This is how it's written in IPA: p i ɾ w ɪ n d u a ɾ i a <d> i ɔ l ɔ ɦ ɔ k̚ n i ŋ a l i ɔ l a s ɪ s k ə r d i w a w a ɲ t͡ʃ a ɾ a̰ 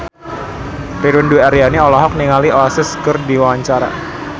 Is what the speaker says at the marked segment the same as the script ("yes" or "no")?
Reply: no